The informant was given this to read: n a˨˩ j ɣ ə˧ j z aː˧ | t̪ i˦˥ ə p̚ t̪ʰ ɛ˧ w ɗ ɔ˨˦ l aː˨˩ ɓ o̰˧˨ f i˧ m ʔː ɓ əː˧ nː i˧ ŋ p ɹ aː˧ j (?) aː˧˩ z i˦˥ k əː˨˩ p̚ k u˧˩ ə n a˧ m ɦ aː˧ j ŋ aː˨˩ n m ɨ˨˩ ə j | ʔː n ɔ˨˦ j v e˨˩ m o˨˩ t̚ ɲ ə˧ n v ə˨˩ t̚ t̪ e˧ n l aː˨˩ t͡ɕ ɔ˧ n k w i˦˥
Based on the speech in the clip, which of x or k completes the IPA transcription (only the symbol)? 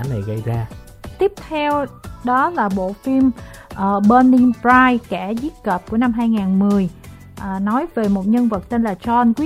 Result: k